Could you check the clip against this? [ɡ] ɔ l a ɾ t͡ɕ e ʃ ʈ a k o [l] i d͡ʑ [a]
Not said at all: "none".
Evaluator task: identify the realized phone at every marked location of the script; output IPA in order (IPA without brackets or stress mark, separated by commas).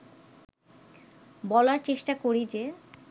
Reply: b, ɾ, e